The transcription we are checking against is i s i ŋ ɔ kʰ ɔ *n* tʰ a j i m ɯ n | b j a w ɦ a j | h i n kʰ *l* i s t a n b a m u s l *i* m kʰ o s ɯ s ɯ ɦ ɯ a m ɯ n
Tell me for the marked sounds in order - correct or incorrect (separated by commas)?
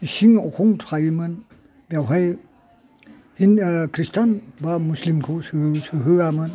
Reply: incorrect, incorrect, correct